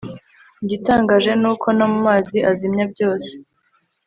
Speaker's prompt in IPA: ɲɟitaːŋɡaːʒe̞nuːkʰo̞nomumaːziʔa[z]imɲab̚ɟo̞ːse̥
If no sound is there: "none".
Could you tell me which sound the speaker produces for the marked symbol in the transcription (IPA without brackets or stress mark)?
z